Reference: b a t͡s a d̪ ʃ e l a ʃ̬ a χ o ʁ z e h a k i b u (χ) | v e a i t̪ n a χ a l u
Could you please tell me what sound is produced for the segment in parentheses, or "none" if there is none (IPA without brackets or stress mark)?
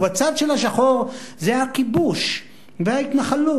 ʃ